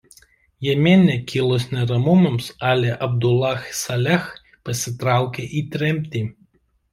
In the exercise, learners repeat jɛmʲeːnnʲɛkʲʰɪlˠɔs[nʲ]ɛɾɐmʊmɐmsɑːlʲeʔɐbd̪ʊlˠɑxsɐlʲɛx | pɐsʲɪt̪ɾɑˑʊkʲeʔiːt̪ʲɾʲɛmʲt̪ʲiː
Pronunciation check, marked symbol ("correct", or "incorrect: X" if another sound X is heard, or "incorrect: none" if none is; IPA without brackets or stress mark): correct